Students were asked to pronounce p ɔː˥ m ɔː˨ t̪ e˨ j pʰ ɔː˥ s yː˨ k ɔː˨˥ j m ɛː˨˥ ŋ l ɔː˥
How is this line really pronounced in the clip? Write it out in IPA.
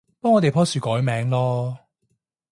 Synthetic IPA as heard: p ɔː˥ ŋ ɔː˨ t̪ e˨ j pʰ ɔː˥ s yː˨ k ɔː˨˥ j m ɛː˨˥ ŋ l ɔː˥